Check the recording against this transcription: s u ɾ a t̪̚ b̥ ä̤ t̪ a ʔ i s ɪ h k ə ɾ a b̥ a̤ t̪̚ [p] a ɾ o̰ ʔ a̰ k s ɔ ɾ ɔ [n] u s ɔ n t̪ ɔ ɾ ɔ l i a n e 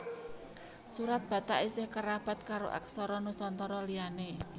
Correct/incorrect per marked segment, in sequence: incorrect: k, correct

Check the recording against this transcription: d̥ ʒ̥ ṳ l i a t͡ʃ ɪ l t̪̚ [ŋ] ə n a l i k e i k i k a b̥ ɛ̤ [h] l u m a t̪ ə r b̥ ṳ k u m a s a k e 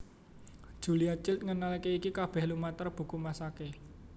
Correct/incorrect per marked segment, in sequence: correct, correct

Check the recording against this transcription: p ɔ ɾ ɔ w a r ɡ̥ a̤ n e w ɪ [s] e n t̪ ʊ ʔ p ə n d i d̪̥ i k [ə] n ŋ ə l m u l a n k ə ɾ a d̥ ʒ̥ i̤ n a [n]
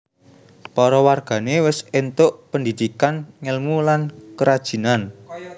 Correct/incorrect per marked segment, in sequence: correct, incorrect: a, correct

